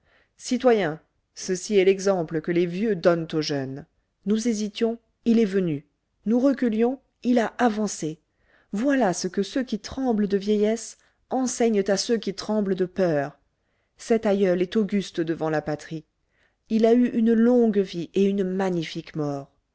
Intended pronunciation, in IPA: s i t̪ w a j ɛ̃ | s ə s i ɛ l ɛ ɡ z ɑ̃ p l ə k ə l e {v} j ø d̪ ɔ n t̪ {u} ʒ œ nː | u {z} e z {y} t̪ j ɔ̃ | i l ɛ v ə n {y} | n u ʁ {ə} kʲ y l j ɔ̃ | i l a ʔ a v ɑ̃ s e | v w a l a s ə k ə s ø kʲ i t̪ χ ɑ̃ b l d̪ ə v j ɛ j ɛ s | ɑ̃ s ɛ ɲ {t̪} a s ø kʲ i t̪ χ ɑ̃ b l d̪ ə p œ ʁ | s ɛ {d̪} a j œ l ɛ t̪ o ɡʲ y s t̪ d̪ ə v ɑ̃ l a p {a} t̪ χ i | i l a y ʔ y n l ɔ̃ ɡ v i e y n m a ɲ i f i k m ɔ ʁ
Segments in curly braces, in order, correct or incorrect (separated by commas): correct, incorrect, correct, incorrect, correct, correct, correct, incorrect, correct